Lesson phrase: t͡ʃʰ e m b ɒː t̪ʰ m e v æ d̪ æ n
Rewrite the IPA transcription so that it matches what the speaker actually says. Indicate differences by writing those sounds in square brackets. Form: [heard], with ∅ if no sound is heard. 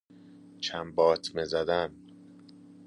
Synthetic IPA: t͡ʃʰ [æ] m b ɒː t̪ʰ m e [z] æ d̪ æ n